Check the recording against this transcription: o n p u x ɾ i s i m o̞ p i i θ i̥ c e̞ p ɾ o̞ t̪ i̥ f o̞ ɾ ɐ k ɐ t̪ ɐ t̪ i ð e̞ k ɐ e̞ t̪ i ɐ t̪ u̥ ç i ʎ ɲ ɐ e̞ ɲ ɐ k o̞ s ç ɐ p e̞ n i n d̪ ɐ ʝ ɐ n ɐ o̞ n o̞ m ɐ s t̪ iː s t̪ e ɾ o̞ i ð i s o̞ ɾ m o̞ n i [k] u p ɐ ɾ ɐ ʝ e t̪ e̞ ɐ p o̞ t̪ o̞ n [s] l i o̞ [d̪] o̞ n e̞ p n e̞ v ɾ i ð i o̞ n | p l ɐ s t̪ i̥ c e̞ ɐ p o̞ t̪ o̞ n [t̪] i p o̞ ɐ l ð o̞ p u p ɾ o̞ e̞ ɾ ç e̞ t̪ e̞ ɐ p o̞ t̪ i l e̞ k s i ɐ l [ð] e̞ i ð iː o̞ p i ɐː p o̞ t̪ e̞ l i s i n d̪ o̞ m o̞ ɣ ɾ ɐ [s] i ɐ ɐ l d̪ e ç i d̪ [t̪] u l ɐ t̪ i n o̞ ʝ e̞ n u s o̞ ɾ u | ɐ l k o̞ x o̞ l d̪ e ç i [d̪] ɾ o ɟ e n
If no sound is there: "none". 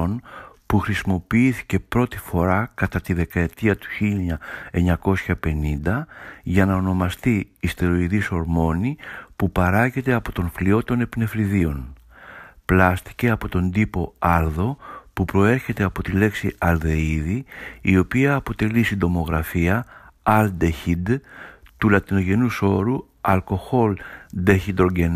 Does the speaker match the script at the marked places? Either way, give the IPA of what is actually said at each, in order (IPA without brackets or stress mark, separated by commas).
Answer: p, f, t̪, d̪, ð, f, t̪, d̪